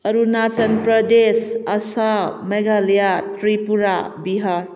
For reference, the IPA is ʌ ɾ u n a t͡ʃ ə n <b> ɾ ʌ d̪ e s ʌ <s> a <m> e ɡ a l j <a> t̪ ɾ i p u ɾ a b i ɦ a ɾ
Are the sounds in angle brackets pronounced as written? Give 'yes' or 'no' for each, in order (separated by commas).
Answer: no, yes, yes, yes